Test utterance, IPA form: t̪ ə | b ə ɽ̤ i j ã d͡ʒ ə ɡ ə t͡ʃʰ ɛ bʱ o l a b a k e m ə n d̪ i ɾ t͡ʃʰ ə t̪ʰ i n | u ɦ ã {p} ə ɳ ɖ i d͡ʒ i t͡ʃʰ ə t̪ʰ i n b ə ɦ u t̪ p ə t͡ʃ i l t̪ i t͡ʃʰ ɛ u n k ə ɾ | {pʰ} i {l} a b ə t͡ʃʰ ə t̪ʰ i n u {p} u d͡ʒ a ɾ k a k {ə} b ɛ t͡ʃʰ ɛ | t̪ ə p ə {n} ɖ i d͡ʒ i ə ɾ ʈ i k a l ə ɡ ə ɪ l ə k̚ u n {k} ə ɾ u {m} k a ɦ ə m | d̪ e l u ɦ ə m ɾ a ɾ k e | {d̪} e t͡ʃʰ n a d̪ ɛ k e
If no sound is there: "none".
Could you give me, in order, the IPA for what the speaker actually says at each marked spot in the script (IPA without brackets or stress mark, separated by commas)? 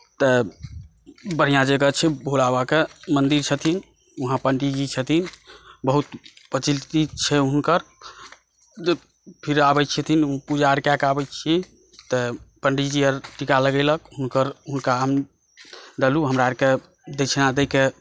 p, pʰ, ɾ, p, a, ɳ, k, n, d̪